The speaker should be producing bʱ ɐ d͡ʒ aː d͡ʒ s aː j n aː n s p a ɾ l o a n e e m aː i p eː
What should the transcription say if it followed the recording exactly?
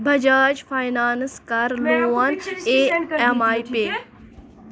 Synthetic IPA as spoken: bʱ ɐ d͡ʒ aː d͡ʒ f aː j n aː n s k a ɾ l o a n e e m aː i p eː